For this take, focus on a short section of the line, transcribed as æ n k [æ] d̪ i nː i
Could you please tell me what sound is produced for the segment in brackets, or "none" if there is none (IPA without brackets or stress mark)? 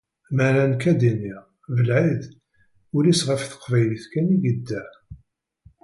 æ